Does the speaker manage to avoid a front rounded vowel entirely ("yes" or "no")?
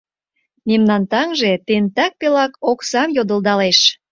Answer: yes